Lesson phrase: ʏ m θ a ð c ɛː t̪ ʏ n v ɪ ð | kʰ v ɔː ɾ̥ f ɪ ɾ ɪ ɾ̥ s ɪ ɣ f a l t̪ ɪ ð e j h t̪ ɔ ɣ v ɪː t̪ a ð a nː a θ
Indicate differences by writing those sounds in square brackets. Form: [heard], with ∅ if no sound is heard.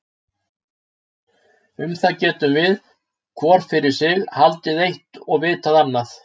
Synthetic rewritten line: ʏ m θ a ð c ɛː t̪ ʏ [m] v ɪ ð | kʰ v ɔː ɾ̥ f ɪ ɾ ɪ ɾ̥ s ɪ ɣ [h] a l t̪ ɪ ð e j h t̪ ɔ ɣ v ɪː t̪ a ð a nː a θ